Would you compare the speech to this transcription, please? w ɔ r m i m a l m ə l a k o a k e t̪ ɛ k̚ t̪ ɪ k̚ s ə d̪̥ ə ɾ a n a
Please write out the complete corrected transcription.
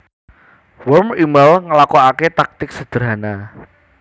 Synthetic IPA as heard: w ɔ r m i m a l ŋ ə l a k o a k e t̪ a k̚ t̪ ɪ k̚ s ə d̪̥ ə ɾ a n a